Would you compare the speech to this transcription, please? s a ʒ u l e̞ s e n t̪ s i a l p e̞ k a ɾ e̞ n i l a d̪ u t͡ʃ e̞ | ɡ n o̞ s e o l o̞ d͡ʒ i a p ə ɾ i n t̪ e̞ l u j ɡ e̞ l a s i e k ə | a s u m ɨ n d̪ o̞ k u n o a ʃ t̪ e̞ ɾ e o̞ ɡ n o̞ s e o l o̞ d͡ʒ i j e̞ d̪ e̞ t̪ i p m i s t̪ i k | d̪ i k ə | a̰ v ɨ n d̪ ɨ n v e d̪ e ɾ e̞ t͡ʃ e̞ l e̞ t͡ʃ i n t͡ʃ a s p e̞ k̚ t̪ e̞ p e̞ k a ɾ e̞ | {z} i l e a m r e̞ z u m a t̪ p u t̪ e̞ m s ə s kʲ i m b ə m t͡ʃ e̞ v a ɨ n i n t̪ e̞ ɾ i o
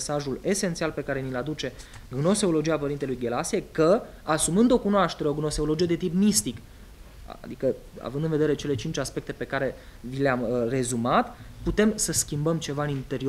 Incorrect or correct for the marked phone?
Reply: incorrect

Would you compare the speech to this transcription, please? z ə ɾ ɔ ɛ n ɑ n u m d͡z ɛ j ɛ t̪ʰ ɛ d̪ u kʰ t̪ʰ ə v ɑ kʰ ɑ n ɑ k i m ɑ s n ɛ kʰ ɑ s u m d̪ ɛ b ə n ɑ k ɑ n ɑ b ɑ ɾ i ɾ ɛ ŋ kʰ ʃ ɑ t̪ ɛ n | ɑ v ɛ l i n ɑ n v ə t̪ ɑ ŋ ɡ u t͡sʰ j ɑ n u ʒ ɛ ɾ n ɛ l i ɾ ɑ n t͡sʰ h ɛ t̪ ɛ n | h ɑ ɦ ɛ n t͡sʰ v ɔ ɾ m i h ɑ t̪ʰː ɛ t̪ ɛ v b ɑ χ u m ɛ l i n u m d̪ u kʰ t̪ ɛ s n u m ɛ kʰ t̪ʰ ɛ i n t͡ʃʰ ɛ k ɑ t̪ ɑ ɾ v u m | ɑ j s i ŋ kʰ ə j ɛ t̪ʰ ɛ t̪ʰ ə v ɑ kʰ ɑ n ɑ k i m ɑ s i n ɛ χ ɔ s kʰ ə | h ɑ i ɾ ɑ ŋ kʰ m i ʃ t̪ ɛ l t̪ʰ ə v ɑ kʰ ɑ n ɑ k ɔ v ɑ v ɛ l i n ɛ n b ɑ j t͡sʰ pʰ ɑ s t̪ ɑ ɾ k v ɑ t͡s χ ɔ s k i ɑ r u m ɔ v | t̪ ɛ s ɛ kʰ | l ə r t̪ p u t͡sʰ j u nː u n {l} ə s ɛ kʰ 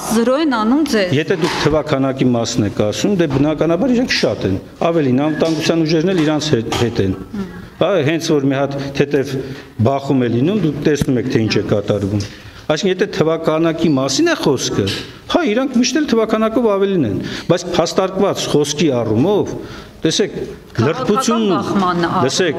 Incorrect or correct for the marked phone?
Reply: correct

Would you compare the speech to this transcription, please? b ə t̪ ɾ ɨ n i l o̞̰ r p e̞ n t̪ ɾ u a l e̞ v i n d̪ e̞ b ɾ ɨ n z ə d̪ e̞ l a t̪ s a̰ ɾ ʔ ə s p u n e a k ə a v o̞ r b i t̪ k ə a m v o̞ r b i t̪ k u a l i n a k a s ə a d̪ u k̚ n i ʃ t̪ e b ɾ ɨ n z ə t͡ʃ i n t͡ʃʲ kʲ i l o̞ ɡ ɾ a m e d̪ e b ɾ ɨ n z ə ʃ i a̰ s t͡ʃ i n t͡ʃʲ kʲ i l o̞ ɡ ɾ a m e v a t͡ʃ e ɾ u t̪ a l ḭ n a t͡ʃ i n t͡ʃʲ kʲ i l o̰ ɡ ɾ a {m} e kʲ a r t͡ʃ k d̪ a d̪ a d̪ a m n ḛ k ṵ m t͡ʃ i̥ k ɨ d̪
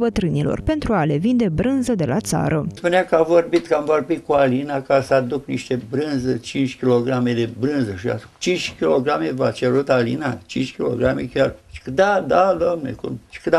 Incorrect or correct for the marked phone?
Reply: correct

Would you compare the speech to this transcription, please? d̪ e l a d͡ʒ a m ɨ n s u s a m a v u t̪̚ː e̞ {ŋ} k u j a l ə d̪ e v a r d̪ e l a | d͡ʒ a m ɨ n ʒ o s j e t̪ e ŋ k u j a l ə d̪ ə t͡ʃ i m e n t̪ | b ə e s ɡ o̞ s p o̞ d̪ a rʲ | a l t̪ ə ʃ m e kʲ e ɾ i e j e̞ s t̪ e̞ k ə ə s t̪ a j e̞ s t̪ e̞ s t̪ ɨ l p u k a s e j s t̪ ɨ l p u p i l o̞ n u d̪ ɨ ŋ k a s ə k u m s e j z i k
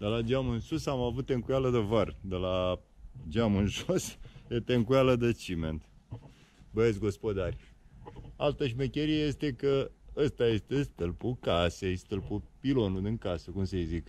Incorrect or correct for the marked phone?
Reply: correct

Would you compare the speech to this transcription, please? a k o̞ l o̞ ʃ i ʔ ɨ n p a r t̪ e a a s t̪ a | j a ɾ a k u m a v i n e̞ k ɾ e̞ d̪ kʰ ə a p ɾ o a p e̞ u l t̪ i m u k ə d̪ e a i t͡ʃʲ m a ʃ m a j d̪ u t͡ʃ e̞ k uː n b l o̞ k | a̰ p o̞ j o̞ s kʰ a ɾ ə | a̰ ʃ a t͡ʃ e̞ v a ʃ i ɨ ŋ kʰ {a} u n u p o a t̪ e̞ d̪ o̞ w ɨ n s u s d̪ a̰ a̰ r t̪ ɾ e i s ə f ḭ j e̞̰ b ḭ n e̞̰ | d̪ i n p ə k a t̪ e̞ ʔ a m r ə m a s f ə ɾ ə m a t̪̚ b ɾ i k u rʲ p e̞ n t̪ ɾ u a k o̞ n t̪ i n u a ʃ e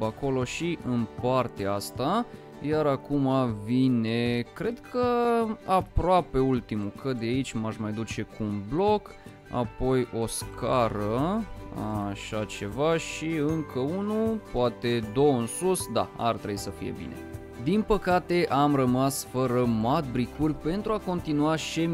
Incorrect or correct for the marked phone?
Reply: incorrect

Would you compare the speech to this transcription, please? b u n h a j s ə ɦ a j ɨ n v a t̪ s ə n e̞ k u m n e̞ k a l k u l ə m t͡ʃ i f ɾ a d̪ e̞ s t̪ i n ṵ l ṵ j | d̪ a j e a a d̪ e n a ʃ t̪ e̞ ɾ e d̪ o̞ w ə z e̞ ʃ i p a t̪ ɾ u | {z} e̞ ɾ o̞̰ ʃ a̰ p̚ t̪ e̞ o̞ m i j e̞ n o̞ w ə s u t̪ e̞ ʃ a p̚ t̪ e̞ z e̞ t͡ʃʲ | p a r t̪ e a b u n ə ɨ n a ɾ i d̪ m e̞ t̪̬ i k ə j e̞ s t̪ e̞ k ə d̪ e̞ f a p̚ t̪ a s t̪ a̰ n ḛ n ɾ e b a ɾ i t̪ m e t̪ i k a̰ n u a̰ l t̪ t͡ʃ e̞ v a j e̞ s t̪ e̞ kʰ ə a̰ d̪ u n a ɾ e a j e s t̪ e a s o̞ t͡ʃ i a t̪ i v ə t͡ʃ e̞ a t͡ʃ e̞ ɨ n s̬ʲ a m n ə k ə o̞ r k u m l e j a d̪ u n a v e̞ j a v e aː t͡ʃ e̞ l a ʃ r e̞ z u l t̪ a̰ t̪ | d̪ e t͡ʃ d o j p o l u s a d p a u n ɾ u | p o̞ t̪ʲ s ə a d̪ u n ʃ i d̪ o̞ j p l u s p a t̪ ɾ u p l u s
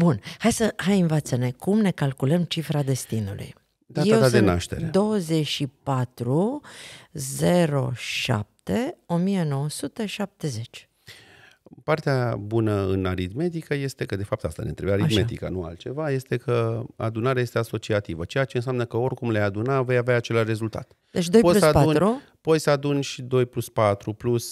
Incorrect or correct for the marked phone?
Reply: correct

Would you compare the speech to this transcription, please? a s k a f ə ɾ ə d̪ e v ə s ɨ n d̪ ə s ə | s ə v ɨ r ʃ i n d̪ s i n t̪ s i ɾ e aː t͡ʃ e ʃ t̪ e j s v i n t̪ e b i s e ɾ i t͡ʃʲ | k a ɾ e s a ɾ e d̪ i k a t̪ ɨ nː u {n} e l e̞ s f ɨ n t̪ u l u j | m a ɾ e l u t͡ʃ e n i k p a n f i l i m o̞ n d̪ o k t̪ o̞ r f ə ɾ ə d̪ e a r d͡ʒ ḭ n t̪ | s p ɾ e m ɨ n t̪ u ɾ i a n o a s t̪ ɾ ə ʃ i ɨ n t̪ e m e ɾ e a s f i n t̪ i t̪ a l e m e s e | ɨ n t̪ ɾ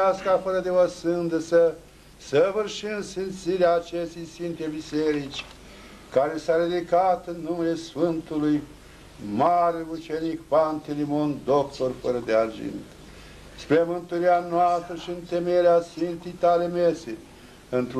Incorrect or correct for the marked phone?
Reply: incorrect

